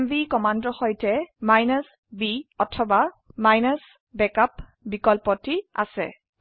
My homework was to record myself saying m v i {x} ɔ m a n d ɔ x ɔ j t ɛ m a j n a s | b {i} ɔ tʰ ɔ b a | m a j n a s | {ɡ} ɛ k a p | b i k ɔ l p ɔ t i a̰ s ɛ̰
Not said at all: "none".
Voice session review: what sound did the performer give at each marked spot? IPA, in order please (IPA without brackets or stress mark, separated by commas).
k, i, b